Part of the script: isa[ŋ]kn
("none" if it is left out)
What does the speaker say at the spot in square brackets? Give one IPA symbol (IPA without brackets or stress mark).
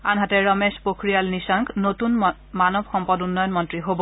ŋ